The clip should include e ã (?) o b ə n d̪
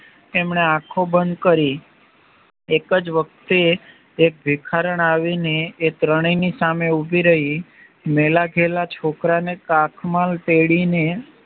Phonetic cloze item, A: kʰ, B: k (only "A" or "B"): A